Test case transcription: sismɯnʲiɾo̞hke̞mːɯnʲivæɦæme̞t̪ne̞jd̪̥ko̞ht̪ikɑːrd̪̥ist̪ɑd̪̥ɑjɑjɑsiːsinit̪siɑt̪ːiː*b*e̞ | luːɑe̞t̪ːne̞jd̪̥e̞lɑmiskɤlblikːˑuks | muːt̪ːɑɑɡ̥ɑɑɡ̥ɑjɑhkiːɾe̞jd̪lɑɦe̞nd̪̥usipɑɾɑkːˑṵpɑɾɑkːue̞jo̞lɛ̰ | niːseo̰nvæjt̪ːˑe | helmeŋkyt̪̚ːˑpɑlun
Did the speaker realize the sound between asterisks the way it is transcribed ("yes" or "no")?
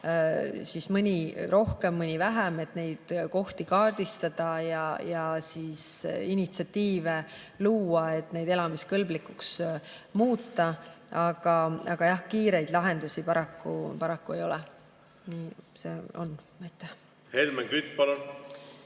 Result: no